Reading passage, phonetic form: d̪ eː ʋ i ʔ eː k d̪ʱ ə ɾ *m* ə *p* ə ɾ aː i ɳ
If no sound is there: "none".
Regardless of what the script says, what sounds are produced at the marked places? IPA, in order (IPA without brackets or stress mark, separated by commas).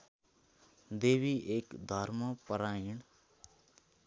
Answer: m, p